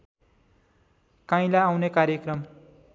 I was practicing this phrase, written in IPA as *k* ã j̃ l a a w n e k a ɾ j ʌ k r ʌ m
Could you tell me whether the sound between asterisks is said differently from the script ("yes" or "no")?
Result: no